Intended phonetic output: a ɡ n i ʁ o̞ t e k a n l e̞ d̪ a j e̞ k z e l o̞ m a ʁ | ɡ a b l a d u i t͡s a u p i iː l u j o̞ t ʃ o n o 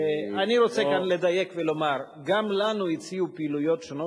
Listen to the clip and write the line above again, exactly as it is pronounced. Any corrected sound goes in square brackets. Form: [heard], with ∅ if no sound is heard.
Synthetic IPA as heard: a [∅] n i ʁ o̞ [t͡s] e k a n l e̞ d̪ a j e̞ k [v] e l o̞ m a ʁ | ɡ a [m] l a [n] u i t͡s [i] u p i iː l u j o̞ t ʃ o n o